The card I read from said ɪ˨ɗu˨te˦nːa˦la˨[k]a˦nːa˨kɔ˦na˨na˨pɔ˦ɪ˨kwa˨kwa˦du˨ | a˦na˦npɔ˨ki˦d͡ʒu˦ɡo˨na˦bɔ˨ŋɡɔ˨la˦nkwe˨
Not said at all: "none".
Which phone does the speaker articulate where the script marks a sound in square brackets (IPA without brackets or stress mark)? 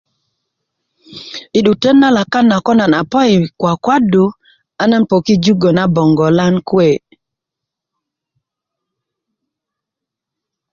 k